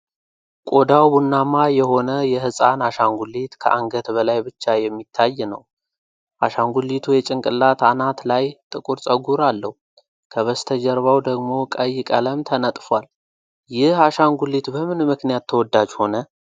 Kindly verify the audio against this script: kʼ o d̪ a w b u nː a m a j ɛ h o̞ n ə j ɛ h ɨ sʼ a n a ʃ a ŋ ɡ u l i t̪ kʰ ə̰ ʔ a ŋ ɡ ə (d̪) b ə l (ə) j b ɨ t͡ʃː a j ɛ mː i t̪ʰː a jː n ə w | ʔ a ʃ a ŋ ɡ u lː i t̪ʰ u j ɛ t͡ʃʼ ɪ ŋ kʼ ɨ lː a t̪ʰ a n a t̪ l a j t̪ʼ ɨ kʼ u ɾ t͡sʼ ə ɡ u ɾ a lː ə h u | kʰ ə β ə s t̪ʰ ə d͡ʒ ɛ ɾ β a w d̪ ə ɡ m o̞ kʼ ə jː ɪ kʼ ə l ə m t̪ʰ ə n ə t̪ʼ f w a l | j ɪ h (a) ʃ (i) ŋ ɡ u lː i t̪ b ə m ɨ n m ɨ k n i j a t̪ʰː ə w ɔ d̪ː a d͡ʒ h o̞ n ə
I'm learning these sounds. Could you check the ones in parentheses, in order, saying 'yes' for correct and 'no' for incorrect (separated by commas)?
no, no, yes, no